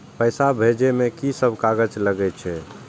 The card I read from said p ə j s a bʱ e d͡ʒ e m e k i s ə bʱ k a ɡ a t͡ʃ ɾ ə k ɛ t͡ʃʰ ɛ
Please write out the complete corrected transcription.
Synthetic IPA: p ə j s a bʱ e d͡ʒ e m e k i s ə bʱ k a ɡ ə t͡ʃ l ə ɡ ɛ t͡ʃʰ ɛ